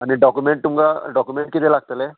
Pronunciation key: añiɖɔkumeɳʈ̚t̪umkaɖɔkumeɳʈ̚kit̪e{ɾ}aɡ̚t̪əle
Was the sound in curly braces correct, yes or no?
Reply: no